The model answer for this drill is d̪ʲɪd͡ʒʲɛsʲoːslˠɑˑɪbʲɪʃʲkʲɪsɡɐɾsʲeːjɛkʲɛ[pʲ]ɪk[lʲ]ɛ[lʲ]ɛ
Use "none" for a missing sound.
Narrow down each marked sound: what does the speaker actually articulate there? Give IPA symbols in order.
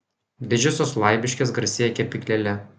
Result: pʲ, lʲ, lʲ

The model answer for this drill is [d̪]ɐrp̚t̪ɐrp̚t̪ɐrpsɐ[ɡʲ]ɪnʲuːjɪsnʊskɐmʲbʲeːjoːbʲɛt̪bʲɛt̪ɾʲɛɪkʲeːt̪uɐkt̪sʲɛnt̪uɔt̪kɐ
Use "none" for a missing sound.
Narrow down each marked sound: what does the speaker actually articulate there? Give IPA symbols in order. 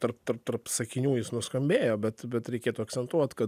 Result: t̪, kʲ

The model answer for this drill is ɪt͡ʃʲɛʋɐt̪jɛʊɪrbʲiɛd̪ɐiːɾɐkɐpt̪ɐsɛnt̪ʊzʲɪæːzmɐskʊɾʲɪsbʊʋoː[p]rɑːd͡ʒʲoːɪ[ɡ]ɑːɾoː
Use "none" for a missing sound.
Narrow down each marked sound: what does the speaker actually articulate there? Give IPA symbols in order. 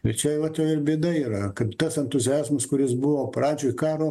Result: p, k

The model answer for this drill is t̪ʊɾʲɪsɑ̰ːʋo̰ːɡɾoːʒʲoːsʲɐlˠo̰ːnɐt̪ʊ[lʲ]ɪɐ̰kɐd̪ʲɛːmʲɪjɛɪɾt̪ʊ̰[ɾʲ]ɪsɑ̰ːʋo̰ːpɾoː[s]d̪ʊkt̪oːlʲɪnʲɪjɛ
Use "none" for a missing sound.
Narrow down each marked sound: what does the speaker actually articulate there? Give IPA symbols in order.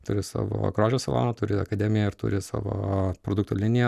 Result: ɾʲ, ɾʲ, none

